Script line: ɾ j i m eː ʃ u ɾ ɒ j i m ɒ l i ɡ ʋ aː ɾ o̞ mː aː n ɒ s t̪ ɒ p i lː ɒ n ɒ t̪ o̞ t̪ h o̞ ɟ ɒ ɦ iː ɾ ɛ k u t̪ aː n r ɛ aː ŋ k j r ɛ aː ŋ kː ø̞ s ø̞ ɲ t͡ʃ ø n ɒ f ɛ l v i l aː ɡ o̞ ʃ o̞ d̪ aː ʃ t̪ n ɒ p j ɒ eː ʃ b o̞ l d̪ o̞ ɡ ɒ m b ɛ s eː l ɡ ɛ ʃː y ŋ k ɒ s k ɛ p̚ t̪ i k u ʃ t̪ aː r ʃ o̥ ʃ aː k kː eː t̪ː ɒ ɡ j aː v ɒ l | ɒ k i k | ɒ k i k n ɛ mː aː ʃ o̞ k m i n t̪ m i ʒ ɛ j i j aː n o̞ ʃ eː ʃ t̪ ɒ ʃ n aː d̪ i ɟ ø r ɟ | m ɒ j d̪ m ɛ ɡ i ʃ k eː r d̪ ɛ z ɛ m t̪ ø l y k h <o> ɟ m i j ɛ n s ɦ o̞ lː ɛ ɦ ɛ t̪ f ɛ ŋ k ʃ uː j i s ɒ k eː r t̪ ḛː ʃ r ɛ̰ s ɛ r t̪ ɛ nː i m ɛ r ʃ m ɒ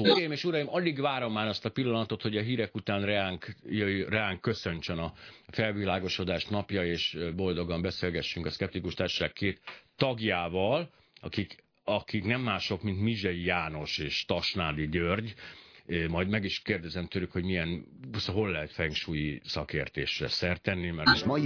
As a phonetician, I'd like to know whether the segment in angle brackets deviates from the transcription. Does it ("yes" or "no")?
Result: no